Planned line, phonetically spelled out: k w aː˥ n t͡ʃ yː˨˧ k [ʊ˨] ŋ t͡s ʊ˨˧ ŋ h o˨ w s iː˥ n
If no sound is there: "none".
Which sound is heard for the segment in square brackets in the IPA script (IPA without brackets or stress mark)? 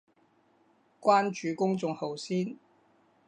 ʊ˥